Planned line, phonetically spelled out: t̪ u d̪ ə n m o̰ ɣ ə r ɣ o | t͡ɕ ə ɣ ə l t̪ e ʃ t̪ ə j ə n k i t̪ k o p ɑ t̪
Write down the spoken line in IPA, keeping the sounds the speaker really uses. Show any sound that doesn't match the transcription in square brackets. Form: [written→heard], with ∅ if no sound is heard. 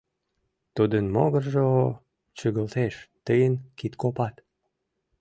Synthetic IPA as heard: t̪ u d̪ ə n m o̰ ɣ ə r [ɣ→ʒ] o | t͡ɕ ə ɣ ə l t̪ e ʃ t̪ ə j ə n k i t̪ k o p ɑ t̪